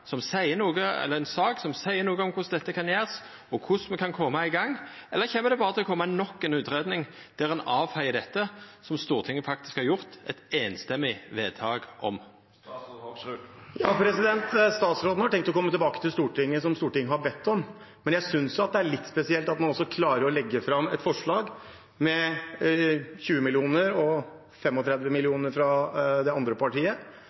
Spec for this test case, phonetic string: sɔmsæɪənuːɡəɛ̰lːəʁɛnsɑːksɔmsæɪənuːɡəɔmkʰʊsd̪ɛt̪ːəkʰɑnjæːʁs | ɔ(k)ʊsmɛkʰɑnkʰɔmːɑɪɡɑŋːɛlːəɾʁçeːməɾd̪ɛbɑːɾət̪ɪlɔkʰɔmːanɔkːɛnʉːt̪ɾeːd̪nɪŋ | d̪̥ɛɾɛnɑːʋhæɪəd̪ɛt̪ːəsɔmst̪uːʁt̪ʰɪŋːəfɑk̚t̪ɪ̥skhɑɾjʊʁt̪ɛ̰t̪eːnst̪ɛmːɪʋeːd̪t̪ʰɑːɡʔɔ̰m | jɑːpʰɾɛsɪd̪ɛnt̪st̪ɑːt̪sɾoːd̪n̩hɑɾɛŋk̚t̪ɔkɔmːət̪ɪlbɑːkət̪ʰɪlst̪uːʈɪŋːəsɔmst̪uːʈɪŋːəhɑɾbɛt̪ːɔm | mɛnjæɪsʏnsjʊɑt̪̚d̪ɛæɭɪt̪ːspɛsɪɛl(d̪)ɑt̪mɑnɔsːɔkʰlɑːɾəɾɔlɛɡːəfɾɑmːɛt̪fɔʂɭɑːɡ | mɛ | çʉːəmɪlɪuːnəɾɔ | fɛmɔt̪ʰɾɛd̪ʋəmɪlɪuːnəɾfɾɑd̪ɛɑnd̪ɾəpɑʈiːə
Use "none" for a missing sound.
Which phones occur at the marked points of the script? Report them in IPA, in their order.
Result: kʰ, t̪

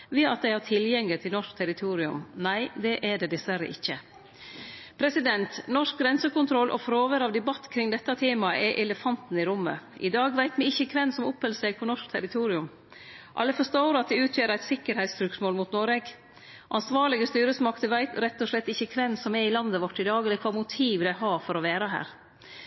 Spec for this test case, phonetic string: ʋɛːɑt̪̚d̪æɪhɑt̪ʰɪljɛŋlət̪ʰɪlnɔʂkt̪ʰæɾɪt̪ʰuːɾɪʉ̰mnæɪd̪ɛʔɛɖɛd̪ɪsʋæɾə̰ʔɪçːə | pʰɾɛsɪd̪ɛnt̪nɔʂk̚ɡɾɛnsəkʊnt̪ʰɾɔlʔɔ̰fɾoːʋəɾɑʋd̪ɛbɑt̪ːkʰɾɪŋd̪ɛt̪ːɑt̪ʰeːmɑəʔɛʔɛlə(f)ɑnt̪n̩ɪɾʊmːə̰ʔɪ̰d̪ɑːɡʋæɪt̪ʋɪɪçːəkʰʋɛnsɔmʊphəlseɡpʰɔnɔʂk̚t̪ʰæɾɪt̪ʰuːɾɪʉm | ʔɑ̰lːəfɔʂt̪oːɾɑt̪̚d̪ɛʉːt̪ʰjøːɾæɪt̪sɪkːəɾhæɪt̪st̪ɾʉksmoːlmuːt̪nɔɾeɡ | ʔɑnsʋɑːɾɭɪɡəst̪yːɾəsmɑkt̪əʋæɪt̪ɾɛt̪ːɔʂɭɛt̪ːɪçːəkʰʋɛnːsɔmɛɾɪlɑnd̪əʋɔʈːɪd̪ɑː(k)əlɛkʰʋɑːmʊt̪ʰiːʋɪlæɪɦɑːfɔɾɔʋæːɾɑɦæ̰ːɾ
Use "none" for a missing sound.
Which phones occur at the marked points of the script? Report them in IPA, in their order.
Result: f, ɡ

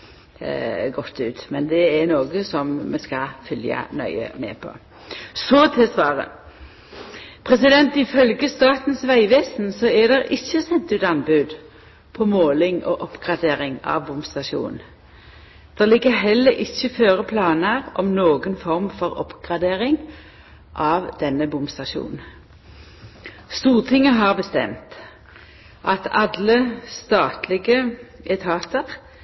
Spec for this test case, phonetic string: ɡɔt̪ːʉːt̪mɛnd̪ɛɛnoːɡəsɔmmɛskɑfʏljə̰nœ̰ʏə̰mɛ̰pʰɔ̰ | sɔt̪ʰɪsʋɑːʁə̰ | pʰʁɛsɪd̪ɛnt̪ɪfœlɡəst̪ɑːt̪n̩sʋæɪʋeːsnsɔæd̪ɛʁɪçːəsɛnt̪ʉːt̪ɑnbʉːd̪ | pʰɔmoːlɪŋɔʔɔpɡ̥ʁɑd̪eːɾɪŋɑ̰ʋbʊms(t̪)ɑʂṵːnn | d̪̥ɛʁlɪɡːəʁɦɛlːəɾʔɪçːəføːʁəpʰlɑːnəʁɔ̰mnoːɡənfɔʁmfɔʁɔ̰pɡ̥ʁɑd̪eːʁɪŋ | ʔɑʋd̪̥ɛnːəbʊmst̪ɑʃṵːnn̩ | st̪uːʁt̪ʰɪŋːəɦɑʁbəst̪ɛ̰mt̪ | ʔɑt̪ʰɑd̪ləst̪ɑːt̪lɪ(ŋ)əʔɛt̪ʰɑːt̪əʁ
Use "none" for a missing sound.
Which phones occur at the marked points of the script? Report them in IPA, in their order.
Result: t̪, ɡ

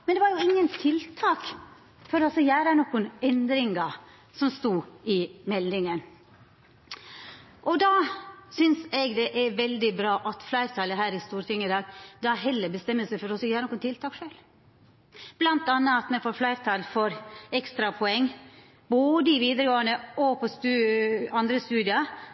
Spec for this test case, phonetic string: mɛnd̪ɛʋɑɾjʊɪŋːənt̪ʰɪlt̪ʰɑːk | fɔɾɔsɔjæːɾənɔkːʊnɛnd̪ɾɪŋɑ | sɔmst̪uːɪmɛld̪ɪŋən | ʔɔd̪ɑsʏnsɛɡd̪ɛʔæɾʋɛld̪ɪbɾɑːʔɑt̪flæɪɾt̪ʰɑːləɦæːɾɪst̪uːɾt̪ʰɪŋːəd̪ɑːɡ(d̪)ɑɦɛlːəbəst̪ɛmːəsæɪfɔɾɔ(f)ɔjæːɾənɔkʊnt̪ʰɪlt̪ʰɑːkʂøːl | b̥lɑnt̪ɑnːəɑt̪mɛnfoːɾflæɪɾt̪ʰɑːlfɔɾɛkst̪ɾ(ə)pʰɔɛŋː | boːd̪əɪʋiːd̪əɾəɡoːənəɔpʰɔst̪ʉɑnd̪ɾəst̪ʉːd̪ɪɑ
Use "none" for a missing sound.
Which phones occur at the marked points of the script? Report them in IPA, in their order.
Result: d̪, s, ɑ

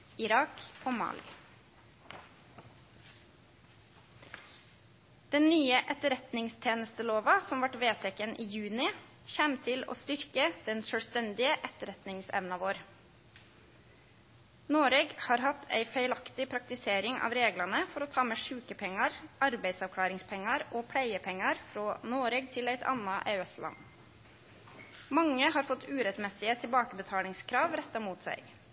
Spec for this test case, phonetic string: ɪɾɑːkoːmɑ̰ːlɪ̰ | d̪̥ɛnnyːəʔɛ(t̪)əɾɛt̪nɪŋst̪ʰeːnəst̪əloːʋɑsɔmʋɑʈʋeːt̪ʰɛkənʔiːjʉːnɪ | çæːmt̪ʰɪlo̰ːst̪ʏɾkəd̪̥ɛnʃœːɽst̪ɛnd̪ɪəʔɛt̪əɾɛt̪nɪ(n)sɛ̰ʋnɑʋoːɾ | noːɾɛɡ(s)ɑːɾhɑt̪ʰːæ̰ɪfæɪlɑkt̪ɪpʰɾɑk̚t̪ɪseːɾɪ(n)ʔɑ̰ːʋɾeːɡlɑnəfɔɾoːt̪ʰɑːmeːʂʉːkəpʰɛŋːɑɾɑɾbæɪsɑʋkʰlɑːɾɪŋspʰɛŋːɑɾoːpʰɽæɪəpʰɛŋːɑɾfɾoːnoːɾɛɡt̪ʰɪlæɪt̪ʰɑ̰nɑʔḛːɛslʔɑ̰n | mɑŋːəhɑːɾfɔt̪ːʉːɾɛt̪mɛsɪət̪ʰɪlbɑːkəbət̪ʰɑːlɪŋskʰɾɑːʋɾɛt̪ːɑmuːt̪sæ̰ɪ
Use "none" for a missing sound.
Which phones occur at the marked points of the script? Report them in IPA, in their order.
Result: t̪, ŋ, h, ŋ

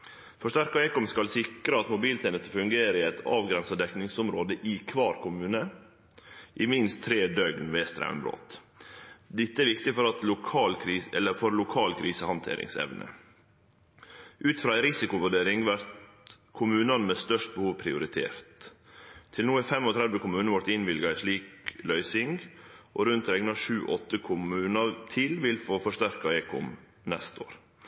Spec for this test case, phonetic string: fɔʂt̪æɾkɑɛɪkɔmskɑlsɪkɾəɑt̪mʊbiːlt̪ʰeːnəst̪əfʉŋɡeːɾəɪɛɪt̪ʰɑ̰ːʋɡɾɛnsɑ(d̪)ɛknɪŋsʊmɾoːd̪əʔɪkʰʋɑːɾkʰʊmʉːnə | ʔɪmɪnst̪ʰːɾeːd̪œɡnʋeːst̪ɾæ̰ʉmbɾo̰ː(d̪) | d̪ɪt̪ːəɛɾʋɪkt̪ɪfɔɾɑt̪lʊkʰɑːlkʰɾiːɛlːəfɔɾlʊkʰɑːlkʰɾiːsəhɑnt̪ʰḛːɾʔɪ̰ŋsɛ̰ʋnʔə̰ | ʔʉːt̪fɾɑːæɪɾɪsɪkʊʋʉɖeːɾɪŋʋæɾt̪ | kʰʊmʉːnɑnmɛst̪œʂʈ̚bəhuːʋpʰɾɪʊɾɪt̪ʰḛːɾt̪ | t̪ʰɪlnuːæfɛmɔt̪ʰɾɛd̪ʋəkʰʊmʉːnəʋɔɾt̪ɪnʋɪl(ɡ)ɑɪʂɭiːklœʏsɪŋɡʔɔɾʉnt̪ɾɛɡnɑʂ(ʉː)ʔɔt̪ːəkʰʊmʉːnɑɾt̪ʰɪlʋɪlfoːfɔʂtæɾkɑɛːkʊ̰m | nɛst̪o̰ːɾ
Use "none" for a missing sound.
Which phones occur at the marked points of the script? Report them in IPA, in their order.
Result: d̪, t̪, ɡ, ʉː

